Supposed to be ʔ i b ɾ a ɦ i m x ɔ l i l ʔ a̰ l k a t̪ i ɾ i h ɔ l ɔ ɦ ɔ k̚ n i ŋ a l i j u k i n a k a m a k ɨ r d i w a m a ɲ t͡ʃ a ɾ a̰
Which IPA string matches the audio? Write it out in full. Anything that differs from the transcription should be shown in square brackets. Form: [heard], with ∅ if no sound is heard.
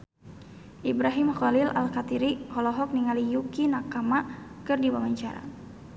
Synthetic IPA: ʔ i b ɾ a ɦ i m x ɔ l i l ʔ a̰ l k a t̪ i ɾ i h ɔ l ɔ ɦ ɔ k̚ n i ŋ a l i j u k i n a k a m a k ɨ r d i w a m a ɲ t͡ʃ a ɾ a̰